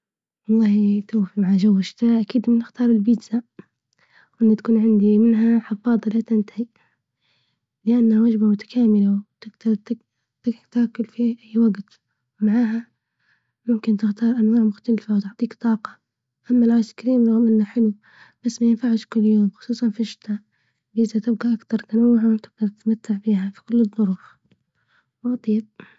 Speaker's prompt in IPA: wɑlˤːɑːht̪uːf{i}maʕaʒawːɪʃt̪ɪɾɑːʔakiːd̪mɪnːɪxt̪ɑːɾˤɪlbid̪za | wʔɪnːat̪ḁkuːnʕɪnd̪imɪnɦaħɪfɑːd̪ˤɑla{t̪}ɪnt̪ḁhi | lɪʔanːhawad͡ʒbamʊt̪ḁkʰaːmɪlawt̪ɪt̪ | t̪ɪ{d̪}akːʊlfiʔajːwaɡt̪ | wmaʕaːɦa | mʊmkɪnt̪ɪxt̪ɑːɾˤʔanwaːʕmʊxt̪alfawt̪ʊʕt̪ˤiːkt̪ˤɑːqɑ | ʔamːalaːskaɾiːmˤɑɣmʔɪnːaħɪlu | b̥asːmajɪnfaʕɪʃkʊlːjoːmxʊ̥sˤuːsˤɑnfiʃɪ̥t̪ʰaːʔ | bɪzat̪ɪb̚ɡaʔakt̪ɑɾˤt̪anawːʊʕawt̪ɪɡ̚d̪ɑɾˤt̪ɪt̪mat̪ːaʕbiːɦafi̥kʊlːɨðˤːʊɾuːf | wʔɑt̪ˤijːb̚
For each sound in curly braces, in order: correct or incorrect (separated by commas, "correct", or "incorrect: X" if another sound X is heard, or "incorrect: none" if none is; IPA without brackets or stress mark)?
correct, correct, incorrect: t̪